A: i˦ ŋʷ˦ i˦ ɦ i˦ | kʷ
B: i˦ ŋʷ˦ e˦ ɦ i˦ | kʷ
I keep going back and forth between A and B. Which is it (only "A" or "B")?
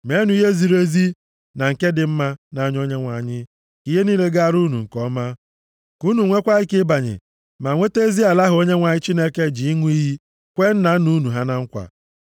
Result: A